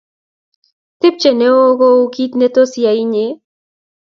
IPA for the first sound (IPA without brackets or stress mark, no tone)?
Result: t̪